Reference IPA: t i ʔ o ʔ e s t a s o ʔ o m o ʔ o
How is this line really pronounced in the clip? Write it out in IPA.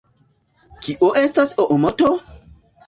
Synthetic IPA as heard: k i ʔ o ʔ e s t a s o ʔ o m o t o